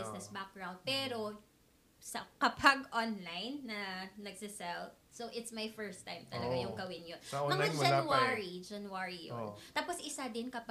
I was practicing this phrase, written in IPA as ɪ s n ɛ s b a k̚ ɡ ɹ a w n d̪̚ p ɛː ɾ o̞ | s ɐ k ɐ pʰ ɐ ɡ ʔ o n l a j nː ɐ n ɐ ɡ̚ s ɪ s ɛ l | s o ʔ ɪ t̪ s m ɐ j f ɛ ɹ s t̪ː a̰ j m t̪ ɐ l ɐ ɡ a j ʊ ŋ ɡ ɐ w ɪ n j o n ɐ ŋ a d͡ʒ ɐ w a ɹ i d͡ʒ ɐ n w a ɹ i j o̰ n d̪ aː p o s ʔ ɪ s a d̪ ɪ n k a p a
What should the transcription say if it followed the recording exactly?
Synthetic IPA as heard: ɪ s n ɛ s b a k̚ ɡ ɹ a w n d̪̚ p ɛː ɾ o̞ | s ɐ k ɐ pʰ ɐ ɡ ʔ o n l a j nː ɐ n ɐ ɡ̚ s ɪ s ɛ l | s o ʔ ɪ t̪ s m ɐ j f ɛ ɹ s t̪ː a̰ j m t̪ ɐ l ɐ ɡ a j ʊ ŋ ɡ ɐ w ɪ n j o n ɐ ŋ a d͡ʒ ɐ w a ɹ i d͡ʒ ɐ n w a ɹ i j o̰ n t̪ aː p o s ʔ ɪ s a d̪ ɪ n k ɐ p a